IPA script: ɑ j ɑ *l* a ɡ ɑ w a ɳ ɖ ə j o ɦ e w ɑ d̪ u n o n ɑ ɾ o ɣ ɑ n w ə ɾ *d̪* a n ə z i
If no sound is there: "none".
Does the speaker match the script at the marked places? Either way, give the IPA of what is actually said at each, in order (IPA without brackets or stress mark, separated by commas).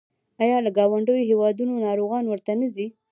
l, t̪